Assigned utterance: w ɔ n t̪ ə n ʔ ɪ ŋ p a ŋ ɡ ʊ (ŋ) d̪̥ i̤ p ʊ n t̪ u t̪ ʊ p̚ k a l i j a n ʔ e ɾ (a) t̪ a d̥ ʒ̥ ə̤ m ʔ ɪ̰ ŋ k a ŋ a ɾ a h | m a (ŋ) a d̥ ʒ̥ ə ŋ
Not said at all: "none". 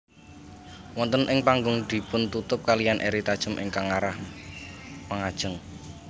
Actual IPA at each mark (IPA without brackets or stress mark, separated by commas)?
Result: ŋ, i, ŋ